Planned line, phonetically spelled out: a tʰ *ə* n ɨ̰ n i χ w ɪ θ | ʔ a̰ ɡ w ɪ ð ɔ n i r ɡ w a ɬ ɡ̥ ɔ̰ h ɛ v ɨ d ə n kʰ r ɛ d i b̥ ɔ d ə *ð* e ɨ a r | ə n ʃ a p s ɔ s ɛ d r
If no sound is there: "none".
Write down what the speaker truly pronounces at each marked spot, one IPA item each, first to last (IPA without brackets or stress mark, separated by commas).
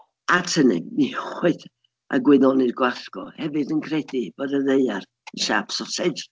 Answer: ə, ð